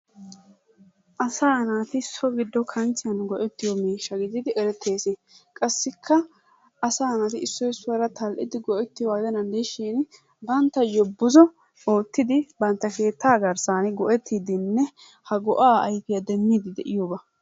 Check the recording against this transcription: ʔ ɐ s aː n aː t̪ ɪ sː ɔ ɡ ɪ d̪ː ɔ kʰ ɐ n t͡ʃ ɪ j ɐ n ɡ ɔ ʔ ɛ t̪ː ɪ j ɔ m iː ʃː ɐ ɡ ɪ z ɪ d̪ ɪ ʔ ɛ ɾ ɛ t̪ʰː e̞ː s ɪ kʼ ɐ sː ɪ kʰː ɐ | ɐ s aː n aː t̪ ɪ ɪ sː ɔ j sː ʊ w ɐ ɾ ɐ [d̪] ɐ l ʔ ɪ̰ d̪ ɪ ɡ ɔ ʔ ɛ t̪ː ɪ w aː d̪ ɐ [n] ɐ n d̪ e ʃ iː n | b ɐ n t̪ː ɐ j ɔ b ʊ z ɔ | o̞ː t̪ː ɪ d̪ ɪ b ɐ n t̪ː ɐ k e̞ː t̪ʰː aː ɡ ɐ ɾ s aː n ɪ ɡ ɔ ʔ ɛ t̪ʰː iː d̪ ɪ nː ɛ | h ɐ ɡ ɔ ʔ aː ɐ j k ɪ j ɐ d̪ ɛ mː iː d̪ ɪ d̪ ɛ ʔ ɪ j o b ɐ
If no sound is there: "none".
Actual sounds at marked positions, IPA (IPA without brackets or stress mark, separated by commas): t̪, n